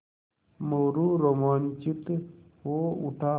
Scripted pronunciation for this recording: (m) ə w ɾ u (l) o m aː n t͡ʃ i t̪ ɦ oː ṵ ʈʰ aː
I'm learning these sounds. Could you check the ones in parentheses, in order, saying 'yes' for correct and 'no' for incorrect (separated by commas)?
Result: yes, no